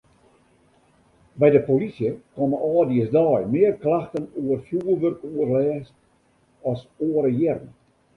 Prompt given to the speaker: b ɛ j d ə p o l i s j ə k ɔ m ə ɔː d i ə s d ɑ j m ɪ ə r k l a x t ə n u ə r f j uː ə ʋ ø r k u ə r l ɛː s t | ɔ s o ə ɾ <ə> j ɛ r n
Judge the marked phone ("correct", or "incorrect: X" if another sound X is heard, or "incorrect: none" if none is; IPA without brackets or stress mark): correct